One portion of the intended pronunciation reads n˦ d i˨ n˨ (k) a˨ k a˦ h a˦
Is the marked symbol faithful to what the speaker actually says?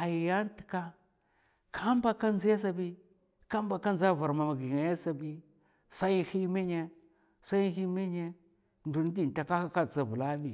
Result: no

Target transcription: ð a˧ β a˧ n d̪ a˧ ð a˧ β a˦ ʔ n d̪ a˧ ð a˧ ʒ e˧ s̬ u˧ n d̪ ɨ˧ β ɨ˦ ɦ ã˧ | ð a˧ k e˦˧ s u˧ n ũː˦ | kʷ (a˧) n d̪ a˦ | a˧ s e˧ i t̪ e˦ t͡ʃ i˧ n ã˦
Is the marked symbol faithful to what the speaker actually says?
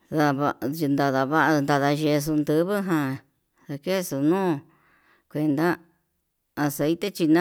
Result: no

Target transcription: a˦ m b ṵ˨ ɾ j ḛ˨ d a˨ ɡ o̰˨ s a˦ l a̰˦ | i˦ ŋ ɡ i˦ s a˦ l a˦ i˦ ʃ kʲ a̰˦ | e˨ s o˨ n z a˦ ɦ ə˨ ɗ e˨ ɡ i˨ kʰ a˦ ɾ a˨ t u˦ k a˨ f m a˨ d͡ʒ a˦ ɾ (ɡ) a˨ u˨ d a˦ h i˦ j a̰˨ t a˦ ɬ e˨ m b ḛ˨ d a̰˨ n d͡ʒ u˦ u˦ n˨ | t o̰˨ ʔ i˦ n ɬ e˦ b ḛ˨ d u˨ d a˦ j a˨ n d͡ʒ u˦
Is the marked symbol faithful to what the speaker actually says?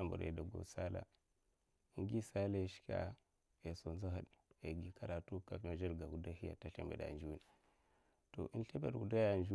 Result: yes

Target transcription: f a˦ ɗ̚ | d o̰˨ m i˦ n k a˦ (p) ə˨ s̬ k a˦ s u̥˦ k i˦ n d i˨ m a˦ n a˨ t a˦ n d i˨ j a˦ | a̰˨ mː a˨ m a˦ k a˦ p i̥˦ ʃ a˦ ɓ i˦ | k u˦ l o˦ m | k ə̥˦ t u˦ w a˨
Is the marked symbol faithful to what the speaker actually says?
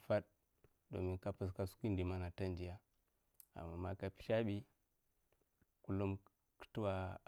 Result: yes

